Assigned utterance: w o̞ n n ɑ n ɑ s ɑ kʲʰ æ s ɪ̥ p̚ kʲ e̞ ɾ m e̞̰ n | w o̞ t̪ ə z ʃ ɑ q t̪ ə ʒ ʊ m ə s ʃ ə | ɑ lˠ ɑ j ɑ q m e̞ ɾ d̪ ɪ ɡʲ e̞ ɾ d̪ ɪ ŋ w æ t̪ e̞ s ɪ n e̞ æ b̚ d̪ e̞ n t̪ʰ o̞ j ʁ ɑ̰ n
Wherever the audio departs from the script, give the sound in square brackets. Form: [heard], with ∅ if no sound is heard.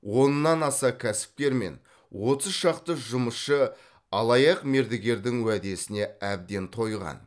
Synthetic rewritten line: w o̞ n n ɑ n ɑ s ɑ kʲʰ æ s ɪ̥ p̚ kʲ e̞ ɾ m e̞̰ n | w o̞ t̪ ə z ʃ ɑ q t̪ ə ʒ ʊ m ə s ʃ ə | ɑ lˠ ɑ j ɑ q m e̞ ɾ d̪ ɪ ɡʲ e̞ ɾ d̪ ɪ ŋ w æ [d̪] e̞ s ɪ n e̞ æ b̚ d̪ e̞ n t̪ʰ o̞ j ʁ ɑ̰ n